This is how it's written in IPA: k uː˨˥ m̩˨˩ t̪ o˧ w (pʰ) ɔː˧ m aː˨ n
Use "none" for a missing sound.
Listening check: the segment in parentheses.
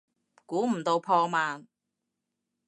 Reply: pʰ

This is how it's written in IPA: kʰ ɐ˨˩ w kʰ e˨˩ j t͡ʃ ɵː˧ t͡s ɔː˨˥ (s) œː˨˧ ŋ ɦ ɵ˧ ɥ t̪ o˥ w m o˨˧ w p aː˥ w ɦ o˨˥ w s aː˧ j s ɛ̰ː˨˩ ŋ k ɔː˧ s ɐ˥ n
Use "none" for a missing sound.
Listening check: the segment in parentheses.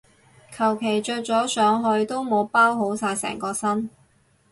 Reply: s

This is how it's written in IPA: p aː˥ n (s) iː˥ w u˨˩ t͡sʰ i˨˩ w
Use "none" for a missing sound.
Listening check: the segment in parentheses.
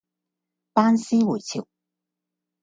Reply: s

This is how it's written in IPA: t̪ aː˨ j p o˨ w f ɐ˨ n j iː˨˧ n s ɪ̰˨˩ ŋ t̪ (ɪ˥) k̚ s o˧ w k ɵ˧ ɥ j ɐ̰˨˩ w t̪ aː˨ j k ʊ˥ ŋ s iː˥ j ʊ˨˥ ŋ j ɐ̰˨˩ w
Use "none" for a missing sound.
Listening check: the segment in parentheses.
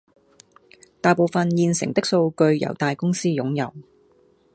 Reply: ɪ˥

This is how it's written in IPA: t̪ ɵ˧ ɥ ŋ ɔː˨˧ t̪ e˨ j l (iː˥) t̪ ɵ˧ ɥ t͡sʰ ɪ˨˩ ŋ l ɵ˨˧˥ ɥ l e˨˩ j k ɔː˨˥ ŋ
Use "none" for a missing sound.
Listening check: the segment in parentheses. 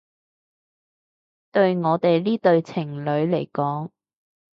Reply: iː˥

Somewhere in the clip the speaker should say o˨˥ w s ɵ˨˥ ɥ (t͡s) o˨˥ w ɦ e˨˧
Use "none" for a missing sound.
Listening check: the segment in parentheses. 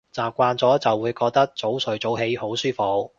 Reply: t͡s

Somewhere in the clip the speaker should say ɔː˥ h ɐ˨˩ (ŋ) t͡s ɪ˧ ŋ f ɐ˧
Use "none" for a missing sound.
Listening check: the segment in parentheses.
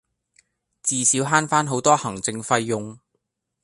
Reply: ŋ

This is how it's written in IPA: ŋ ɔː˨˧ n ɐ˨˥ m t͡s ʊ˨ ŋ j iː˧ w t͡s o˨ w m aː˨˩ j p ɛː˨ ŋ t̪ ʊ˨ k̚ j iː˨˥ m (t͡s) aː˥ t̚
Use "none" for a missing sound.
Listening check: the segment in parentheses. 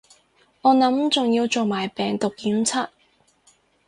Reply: t͡sʰ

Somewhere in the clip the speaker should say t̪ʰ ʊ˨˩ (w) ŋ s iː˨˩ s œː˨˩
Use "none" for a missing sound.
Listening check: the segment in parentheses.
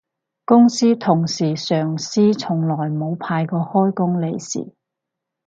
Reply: none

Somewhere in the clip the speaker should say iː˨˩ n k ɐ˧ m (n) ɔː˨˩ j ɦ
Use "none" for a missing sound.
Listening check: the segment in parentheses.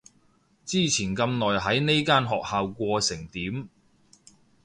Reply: n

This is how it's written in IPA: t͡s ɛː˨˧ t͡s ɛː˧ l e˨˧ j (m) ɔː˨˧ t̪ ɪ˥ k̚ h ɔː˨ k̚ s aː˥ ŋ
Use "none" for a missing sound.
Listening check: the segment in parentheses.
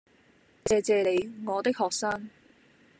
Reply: ŋ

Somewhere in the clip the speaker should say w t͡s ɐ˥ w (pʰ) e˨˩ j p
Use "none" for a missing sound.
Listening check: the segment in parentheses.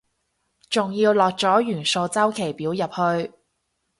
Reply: kʰ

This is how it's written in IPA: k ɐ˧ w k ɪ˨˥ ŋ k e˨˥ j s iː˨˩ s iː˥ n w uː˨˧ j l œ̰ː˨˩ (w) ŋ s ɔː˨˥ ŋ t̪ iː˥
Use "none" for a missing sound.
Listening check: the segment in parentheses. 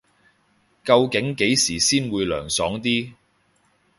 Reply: none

